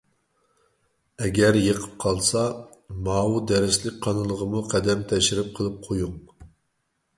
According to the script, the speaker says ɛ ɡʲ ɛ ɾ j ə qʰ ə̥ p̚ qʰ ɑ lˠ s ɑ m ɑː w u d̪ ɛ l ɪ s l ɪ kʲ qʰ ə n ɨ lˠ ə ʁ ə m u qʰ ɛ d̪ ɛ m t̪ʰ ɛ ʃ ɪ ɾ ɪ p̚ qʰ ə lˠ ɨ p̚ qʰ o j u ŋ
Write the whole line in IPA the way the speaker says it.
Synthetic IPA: ɛ ɡʲ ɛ ɾ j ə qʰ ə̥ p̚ qʰ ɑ lˠ s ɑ m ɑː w u d̪ ɛ ɾ ɪ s l ɪ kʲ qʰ ɑ n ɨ lˠ ə ʁ ə m u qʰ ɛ d̪ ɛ m t̪ʰ ɛ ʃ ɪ ɾ ɪ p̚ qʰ ə lˠ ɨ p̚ qʰ o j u ŋ